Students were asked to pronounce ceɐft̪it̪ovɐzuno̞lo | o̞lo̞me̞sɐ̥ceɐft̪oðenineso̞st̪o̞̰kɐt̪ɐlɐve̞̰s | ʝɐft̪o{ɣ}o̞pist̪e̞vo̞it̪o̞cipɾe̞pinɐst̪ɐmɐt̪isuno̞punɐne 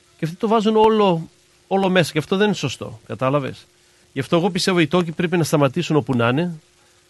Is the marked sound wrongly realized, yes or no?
no